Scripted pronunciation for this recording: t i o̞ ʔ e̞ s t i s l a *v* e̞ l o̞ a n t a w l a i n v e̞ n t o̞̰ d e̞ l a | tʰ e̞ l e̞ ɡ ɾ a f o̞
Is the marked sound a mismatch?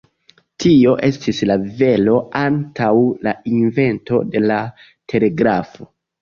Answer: no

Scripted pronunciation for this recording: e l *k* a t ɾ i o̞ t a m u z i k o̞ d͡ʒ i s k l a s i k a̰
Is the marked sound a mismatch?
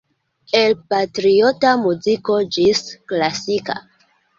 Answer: yes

